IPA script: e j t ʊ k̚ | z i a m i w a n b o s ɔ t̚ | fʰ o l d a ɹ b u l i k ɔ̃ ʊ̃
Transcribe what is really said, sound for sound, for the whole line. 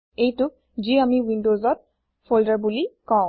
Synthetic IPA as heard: e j t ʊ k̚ | z i a m i w i n d o z ɔ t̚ | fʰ o l d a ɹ b u l i k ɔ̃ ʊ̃